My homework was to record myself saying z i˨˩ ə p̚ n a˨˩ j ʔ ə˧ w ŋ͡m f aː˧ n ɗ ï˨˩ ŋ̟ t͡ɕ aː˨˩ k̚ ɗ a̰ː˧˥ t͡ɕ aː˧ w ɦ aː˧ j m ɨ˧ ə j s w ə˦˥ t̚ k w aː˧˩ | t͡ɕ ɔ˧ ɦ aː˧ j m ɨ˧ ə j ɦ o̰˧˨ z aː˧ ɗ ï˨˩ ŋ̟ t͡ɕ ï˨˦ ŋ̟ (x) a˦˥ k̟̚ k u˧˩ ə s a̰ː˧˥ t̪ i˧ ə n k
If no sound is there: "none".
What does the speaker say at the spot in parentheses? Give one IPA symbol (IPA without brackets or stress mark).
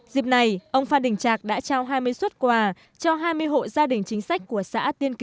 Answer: s